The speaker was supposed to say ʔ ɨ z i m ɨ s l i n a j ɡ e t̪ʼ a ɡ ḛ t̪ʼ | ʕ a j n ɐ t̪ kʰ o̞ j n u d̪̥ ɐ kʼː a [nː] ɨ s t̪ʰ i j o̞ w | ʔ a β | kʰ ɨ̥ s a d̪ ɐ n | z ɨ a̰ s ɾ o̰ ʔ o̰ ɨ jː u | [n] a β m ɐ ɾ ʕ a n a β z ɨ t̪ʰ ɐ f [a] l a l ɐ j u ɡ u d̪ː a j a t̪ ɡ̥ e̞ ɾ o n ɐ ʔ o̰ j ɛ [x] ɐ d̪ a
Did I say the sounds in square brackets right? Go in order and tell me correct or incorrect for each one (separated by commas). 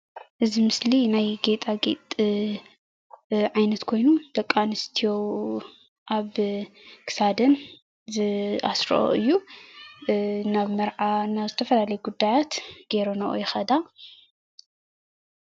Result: incorrect, correct, incorrect, correct